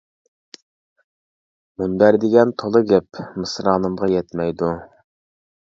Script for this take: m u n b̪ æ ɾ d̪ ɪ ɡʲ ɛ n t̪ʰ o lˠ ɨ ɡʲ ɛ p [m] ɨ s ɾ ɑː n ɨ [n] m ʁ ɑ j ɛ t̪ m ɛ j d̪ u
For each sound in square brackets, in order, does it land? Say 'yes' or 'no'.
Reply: yes, no

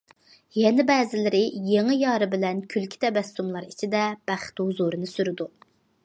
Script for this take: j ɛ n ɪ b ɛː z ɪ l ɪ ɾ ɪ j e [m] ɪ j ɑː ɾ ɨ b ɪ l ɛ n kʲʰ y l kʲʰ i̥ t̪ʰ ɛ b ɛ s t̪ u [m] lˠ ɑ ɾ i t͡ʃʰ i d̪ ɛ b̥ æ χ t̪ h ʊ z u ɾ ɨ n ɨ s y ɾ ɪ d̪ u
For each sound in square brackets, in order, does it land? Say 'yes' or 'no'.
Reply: no, yes

